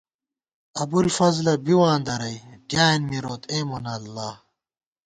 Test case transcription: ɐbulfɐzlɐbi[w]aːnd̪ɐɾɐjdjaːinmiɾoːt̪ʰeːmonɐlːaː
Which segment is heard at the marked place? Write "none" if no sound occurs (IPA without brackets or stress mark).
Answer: w